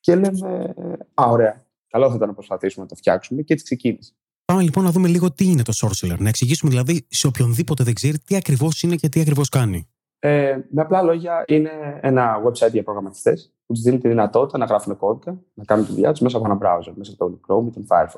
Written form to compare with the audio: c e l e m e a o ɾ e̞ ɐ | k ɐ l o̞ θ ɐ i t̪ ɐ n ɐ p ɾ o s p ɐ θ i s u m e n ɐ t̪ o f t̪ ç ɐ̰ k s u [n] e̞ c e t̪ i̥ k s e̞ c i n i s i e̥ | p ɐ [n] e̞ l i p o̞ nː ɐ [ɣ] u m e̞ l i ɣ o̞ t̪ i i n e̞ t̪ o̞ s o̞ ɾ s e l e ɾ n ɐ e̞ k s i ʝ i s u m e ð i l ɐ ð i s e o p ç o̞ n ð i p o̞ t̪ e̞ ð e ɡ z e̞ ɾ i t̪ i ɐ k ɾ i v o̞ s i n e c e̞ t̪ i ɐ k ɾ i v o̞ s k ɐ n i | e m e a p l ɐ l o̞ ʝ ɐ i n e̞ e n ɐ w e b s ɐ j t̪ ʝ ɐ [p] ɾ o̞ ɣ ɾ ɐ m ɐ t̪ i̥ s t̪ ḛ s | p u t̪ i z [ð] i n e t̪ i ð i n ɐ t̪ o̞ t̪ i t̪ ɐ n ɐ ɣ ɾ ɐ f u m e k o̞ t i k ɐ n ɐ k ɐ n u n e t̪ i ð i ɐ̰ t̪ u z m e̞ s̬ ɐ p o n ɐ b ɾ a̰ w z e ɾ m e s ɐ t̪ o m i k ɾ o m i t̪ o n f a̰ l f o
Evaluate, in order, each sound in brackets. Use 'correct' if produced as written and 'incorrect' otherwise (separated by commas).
incorrect, incorrect, incorrect, correct, correct